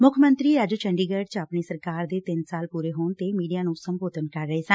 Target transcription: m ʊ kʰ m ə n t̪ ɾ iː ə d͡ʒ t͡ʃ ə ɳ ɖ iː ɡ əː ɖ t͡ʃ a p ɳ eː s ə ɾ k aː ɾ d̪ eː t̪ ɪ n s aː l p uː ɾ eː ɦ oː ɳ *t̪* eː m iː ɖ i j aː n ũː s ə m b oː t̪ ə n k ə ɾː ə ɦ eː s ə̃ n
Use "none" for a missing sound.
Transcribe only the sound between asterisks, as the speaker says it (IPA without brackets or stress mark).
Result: t̪